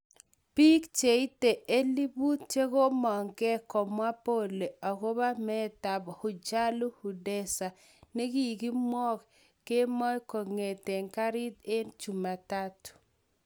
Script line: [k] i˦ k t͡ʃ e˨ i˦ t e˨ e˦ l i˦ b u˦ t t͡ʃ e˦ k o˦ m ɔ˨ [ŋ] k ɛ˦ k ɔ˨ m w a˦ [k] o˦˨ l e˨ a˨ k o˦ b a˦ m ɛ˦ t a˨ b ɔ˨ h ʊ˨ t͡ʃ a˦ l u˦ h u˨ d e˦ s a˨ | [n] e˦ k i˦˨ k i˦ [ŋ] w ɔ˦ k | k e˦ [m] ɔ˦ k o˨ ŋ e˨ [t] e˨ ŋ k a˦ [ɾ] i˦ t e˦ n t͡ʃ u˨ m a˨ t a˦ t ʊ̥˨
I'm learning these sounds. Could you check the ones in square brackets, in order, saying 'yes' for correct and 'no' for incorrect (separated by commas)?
no, yes, no, yes, no, yes, yes, yes